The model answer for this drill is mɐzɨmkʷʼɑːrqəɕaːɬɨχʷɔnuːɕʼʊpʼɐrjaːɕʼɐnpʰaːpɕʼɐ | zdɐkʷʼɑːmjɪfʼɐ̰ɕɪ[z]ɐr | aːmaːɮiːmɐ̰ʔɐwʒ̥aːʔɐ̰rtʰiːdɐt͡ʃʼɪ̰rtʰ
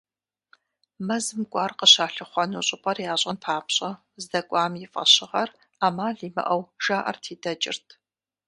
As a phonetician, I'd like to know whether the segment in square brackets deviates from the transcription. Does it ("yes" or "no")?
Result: yes